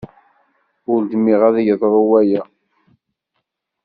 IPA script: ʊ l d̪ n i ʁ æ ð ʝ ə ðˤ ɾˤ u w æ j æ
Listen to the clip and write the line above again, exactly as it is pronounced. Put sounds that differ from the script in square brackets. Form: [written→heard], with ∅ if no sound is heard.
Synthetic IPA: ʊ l d̪ [n→m] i ʁ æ ð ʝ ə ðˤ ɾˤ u w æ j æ